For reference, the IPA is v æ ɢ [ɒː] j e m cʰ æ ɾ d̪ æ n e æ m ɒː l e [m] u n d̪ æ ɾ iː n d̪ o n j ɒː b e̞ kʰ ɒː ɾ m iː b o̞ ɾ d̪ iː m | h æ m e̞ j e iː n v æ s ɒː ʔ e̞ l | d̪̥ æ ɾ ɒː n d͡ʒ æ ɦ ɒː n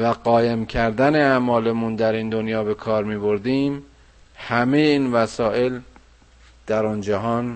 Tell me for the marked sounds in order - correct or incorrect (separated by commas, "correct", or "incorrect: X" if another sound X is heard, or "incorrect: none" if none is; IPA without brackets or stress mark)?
correct, correct